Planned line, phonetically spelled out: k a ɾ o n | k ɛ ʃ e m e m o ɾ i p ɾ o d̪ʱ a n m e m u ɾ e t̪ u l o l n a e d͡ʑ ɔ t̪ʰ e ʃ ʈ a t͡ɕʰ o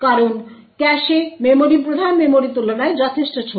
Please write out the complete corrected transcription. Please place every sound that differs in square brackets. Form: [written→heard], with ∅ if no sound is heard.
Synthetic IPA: k a ɾ o n | k ɛ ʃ e m e m o ɾ i p ɾ o d̪ʱ a n m e m [u→o] ɾ [e→i] t̪ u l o [l→∅] n a e d͡ʑ ɔ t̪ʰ e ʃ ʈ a t͡ɕʰ o